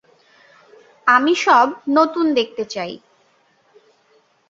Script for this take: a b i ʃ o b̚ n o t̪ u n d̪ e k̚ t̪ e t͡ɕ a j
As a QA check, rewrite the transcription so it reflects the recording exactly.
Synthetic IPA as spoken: a m i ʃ ɔ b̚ n o t̪ u n d̪ e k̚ t̪ e t͡ɕ a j

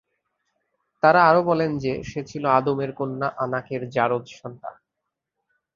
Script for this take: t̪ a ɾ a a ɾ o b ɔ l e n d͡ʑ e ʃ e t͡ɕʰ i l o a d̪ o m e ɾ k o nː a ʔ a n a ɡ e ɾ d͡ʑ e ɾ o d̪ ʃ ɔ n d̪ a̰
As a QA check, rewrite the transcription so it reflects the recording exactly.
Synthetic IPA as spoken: t̪ a ɾ a a ɾ o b ɔ l e n d͡ʑ e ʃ e t͡ɕʰ i l o a d̪ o m e ɾ k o nː a ʔ a n a k e ɾ d͡ʑ a ɾ o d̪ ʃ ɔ n t̪ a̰

